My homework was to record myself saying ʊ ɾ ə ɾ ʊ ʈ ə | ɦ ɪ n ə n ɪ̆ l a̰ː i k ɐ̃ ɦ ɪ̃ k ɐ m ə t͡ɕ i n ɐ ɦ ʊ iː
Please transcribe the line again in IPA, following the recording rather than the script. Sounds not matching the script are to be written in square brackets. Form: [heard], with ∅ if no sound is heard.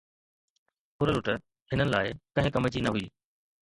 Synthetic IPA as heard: ʊ ɾ ə [l] ʊ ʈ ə | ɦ ɪ n ə n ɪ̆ l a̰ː [ɪ] k ɐ̃ ɦ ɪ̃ k ɐ m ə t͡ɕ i n ɐ ɦ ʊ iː